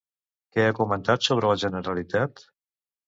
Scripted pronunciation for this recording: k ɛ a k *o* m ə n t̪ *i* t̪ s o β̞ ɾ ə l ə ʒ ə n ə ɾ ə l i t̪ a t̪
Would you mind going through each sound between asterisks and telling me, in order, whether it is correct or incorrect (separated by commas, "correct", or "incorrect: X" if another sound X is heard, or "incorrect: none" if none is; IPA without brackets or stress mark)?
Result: incorrect: u, incorrect: a